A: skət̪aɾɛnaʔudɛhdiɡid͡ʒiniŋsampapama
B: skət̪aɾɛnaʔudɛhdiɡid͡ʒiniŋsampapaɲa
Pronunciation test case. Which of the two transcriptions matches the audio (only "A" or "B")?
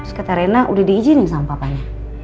B